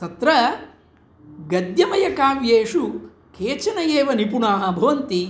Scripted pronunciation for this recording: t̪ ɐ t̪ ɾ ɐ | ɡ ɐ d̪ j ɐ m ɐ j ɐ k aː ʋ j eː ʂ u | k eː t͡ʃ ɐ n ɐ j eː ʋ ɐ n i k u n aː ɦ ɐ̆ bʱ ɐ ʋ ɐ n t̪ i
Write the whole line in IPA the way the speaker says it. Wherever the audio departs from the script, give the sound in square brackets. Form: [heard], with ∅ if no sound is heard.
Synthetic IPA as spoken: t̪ ɐ t̪ ɾ ɐ | ɡ ɐ d̪ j ɐ m ɐ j ɐ k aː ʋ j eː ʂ u | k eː t͡ʃ ɐ n ɐ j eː ʋ ɐ n i [p] u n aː ɦ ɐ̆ bʱ ɐ ʋ ɐ n t̪ i